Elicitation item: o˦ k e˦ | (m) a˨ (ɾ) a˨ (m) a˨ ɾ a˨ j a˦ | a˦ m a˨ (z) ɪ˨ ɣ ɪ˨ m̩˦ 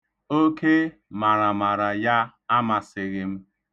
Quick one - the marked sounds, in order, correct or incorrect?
correct, correct, correct, incorrect: s

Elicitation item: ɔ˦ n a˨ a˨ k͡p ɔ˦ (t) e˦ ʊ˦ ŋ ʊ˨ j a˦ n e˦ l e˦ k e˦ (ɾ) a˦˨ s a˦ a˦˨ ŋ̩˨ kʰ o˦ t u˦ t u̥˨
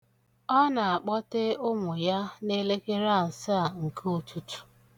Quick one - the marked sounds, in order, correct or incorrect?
correct, correct

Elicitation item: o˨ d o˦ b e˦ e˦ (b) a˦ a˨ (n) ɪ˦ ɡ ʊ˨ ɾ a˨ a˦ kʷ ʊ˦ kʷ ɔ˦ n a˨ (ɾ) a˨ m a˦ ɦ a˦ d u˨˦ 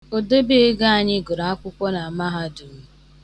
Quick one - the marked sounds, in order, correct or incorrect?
incorrect: ɡ, incorrect: ɲ, incorrect: none

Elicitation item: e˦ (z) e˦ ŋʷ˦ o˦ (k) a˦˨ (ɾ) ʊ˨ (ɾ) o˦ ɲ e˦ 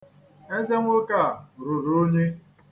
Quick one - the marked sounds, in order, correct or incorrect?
correct, correct, correct, correct

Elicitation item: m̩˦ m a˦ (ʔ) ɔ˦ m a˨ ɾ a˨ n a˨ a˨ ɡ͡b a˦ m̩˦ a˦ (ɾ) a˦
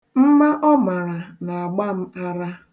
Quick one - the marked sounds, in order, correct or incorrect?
correct, correct

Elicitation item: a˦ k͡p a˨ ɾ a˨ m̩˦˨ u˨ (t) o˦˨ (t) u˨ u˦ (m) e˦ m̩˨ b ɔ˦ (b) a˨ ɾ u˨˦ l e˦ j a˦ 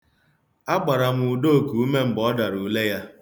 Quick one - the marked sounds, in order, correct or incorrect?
incorrect: d, incorrect: k, correct, incorrect: d

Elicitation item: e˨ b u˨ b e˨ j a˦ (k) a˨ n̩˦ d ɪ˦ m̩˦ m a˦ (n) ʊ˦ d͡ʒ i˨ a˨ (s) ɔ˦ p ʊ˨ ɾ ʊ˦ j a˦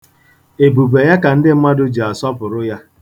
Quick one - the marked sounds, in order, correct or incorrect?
correct, incorrect: d, correct

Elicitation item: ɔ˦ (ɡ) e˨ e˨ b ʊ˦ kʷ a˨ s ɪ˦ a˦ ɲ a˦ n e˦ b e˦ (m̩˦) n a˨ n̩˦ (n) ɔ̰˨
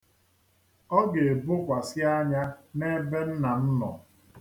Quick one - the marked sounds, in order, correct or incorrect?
correct, incorrect: n̩˦, correct

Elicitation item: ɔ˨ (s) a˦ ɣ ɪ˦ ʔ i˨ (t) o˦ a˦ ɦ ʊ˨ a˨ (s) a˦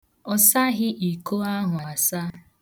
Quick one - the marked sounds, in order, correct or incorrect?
correct, incorrect: k, correct

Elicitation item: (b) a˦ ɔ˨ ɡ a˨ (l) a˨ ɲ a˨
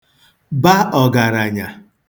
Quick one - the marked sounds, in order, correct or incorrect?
correct, incorrect: ɾ

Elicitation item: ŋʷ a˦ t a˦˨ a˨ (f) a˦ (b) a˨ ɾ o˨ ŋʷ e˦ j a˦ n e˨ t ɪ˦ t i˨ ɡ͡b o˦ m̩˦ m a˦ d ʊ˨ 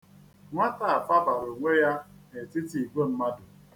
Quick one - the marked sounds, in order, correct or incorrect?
correct, correct

